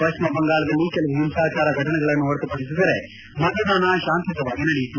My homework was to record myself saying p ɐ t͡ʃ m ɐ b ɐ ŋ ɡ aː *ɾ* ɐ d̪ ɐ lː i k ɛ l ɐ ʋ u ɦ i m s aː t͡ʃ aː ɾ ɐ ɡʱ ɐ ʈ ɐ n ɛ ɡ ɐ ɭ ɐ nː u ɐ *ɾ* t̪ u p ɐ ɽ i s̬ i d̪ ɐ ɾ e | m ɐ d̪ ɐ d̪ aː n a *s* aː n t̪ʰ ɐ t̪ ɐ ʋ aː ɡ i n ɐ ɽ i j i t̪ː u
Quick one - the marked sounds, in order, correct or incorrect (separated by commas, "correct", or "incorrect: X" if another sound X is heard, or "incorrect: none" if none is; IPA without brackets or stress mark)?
incorrect: ɭ, correct, incorrect: ʃ